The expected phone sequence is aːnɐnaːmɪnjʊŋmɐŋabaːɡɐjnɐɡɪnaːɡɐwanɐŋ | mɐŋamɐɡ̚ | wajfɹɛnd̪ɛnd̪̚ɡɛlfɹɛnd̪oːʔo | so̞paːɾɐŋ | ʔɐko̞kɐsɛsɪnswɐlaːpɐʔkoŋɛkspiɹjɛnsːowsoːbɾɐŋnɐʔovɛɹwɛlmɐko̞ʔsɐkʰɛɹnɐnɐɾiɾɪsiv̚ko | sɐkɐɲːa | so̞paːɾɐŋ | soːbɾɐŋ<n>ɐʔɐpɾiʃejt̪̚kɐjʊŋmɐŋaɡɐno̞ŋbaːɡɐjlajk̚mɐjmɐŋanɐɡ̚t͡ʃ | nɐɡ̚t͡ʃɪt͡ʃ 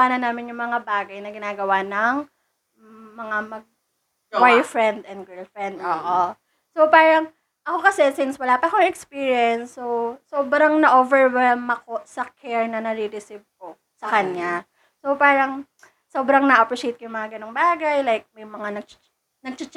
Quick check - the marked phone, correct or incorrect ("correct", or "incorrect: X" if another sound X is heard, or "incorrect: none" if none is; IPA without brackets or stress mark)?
correct